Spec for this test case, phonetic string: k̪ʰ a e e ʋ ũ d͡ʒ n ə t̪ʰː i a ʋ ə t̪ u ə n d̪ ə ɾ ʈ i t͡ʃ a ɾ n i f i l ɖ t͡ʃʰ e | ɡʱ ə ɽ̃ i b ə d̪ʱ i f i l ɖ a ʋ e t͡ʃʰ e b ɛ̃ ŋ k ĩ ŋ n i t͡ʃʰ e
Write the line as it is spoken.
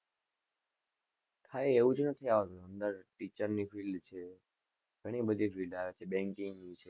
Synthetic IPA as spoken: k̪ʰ a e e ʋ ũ d͡ʒ n ə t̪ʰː i a ʋ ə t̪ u ə n d̪ ə ɾ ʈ i t͡ʃ ə ɾ n i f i l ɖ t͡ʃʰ e | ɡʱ ə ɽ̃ i b ə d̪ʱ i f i l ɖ a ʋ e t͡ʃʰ e b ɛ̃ ŋ k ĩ ŋ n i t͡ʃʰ e